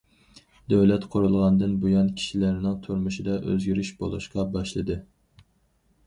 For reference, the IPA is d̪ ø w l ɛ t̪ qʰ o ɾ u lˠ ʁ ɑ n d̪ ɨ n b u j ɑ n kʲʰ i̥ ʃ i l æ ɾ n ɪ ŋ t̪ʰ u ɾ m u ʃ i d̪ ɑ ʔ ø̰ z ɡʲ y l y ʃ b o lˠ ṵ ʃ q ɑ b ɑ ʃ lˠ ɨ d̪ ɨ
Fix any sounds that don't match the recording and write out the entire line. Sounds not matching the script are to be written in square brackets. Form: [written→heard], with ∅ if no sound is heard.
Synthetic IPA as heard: d̪ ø w l ɛ t̪ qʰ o ɾ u lˠ ʁ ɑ n d̪ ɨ n b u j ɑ n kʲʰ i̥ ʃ i l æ ɾ n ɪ ŋ t̪ʰ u ɾ m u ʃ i d̪ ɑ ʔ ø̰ z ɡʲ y [l→ɾ] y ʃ b o lˠ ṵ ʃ q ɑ b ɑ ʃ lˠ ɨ d̪ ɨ